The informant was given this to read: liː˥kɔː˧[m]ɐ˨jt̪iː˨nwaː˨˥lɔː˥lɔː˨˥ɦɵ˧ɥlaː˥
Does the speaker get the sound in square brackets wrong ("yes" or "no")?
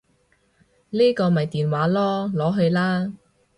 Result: no